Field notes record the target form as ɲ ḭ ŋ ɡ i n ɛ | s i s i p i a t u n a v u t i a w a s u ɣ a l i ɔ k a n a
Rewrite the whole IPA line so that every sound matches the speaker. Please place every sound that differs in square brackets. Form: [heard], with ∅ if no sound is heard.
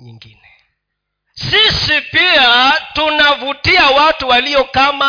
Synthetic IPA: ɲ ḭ ŋ ɡ i n ɛ | s i s i p i a t u n a v u t i a w a [t] u [w] a l i ɔ k a [m] a